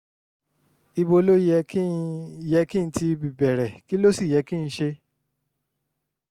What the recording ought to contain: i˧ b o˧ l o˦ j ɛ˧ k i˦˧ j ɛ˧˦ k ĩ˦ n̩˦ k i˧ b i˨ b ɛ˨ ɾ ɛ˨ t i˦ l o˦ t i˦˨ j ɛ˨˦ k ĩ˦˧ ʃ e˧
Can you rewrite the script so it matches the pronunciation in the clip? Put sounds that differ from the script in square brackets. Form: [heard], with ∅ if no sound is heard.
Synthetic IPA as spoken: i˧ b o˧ l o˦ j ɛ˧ k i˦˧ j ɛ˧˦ k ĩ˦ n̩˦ [t] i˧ b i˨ b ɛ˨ ɾ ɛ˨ [k] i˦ l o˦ [s] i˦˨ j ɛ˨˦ k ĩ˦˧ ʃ e˧